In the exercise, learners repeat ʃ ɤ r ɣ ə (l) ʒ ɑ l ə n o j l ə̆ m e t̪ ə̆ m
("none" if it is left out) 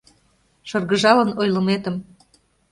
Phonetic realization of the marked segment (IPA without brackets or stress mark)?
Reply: none